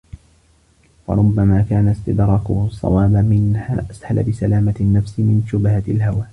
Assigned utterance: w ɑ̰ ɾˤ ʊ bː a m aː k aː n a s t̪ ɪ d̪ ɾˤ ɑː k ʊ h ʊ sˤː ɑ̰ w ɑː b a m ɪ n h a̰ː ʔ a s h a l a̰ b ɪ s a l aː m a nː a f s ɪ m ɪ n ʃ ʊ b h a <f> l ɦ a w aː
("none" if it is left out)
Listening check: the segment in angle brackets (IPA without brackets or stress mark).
none